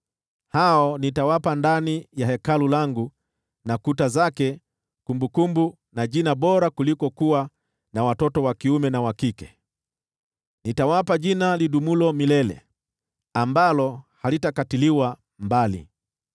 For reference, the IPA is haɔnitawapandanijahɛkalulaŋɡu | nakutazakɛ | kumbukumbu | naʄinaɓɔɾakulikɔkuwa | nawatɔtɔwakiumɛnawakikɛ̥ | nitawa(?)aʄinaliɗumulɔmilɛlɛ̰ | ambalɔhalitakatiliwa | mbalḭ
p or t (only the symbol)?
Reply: p